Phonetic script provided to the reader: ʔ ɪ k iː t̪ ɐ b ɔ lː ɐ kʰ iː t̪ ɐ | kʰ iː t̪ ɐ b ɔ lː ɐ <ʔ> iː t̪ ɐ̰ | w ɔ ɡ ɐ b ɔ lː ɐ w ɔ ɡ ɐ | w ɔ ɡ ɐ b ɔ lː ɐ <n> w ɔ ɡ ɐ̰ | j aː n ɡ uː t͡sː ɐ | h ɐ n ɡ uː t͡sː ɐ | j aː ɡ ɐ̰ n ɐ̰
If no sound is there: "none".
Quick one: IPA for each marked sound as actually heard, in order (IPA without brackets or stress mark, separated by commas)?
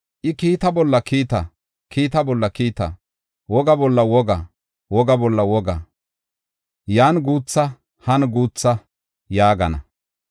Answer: k, none